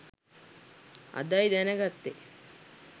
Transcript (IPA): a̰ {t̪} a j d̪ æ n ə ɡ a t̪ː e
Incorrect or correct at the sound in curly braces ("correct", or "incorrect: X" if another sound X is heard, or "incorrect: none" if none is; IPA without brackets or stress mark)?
incorrect: d̪